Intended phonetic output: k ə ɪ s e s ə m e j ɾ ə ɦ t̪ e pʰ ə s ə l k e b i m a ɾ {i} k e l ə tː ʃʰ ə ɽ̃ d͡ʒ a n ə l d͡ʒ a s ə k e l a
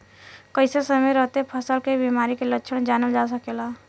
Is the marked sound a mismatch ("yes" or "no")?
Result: no